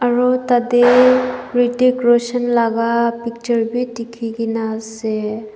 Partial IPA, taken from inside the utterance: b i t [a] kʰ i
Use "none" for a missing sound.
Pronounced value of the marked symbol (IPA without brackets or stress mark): i